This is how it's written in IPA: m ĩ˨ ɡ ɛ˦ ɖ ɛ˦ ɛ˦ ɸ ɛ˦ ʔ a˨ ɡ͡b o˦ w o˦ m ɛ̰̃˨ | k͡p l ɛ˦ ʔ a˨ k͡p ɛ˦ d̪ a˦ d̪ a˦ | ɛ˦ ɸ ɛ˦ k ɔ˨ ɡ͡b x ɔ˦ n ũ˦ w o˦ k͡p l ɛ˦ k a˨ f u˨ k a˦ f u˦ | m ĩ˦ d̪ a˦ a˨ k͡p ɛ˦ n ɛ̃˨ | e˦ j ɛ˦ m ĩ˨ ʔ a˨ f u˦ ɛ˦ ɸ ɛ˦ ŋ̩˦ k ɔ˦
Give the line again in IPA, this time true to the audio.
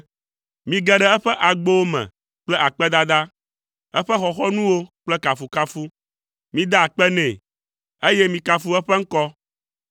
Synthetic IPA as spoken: m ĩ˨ ɡ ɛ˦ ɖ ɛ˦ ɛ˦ ɸ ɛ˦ ʔ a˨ ɡ͡b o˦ w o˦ m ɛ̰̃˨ | k͡p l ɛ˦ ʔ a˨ k͡p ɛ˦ d̪ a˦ d̪ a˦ | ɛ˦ ɸ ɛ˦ x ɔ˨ x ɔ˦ n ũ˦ w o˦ k͡p l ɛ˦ k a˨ f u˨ k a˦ f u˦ | m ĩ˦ d̪ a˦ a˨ k͡p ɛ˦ n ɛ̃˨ | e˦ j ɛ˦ m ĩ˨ k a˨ f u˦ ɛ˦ ɸ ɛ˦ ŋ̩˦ k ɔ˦

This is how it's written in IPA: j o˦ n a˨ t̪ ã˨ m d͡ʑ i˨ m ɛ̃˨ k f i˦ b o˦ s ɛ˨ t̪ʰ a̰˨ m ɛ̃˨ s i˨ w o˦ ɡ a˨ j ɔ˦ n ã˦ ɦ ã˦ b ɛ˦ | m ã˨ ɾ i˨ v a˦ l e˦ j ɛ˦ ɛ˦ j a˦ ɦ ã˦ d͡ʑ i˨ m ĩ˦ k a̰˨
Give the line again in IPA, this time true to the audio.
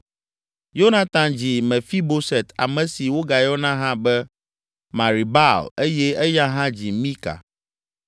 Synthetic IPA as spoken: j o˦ n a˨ t̪ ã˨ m d͡ʑ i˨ m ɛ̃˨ f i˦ b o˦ s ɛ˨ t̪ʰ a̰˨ m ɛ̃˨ s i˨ w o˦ ɡ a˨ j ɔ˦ n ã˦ ɦ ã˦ b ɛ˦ | m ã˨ ɾ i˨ b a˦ l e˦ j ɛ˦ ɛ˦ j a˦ ɦ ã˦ d͡ʑ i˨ m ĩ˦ k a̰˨

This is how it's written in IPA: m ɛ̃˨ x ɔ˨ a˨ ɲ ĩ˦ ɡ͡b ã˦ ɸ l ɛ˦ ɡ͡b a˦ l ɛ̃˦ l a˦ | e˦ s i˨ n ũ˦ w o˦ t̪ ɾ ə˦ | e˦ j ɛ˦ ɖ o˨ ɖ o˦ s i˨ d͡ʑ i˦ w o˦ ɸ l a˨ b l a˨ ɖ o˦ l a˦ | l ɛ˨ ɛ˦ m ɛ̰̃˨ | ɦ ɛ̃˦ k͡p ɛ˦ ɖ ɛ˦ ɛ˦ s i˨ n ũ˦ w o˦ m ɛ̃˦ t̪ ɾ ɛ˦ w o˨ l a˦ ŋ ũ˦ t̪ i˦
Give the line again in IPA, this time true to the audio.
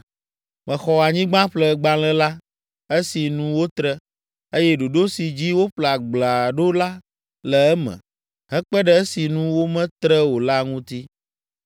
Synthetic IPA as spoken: m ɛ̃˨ x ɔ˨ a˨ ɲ ĩ˦ ɡ͡b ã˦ ɸ l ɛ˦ ɡ͡b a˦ l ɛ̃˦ l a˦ | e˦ s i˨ n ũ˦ w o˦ t̪ ɾ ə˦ | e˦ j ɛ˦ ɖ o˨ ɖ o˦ s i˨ d͡ʑ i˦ w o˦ ɸ l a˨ ɡ͡b l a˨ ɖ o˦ l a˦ | l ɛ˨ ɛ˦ m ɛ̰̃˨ | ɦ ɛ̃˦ k͡p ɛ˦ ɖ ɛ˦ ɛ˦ s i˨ n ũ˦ w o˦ m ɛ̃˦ t̪ ɾ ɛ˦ w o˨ l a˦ ŋ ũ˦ t̪ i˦

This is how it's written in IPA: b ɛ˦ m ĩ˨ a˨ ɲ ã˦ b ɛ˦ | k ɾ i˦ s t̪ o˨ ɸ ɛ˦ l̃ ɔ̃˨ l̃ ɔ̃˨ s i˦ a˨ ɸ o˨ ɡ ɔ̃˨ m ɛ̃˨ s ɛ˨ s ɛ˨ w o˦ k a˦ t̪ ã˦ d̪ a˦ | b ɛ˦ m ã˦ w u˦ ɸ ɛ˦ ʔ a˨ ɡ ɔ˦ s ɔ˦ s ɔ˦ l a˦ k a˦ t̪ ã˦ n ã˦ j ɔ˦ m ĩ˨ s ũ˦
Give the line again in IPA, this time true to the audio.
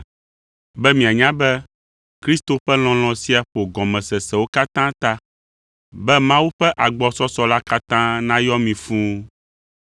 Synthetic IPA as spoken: b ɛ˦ m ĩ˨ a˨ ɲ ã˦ b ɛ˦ | k ɾ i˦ s t̪ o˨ ɸ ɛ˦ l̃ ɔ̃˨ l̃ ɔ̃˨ s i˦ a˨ ɸ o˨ ɡ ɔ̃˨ m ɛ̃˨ s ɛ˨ s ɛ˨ w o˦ k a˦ t̪ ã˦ t̪ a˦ | b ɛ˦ m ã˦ w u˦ ɸ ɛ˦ ʔ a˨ ɡ͡b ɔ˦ s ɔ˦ s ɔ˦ l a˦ k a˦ t̪ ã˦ n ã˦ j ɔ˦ m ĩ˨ f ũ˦

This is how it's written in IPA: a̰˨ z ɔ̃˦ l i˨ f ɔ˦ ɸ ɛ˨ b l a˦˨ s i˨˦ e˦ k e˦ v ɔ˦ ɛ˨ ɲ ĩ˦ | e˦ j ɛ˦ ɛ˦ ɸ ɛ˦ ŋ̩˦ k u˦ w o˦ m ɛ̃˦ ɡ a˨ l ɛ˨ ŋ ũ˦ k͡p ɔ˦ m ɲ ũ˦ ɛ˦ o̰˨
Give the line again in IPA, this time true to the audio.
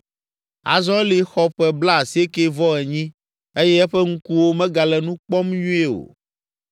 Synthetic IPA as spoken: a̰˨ z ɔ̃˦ l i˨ x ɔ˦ ɸ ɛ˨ b l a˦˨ s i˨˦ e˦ k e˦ v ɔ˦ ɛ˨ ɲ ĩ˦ | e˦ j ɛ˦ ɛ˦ ɸ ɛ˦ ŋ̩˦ k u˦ w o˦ m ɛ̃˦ ɡ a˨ l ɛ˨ n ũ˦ k͡p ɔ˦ m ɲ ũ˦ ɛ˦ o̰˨

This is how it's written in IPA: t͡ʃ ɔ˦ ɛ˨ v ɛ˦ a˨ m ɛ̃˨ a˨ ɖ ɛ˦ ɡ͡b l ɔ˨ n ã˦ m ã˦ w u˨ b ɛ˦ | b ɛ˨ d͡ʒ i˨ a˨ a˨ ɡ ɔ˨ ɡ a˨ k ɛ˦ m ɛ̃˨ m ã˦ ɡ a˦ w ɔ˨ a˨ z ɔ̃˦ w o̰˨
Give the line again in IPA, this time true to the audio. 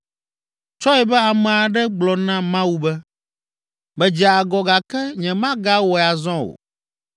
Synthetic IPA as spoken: t͡ʃ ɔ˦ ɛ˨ b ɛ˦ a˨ m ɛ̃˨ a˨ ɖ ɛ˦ ɡ͡b l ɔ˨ n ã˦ m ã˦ w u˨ b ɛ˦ | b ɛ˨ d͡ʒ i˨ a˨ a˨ ɡ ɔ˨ ɡ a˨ k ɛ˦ ɲ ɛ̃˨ m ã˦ ɡ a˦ w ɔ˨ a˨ z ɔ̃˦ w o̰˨

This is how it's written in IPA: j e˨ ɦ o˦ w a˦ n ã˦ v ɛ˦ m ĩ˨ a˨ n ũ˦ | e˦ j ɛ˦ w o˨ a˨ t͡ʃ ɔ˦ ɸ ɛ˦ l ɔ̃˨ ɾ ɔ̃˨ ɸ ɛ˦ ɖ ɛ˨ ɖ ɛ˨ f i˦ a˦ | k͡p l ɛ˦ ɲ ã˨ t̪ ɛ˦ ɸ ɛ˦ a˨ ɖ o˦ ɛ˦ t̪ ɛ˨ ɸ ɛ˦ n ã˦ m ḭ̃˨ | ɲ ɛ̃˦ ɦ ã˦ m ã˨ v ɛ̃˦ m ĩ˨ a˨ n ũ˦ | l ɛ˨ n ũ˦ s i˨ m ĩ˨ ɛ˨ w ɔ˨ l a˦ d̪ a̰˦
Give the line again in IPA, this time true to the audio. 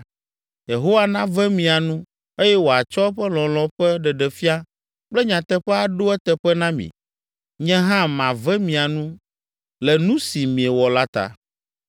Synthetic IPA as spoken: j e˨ ɦ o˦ w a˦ n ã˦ v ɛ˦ m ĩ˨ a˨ n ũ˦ | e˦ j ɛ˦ w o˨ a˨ t͡ʃ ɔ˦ ɸ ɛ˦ l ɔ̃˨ l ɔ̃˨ ɸ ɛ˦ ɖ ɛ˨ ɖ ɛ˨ f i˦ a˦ | k͡p l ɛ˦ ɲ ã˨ t̪ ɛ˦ ɸ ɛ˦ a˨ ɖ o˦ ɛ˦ t̪ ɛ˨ ɸ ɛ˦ n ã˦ m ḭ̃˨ | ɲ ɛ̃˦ ɦ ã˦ m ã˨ v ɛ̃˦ m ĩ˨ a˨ n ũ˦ | l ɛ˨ n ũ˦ s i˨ m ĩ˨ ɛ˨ w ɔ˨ l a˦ t̪ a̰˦

